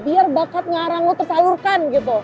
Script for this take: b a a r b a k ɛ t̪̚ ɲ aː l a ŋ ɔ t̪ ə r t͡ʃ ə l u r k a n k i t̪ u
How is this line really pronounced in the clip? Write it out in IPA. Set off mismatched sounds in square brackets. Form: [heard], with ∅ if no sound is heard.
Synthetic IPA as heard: b [i] a r b a k [a] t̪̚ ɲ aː [ɾ] a ŋ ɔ t̪ ə r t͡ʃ [a] l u r k a n [ɡ] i t̪ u